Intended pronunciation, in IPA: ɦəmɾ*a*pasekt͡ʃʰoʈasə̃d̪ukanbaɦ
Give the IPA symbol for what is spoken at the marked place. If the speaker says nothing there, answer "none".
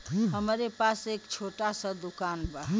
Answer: e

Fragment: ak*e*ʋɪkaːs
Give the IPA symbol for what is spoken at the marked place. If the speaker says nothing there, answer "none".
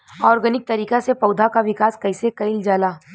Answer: a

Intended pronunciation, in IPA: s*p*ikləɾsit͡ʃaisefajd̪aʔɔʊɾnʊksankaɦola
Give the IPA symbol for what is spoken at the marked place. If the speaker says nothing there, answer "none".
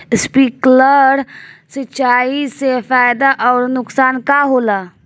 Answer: p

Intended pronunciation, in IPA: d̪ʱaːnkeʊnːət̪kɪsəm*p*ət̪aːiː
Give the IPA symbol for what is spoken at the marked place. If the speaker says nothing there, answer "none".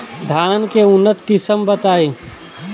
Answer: b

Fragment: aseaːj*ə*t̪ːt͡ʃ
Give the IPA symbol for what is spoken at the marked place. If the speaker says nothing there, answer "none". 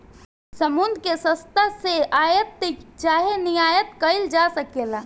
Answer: ə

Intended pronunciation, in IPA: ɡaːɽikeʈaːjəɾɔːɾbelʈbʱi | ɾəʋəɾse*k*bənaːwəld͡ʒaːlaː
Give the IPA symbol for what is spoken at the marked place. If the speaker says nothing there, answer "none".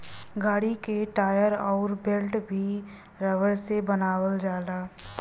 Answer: none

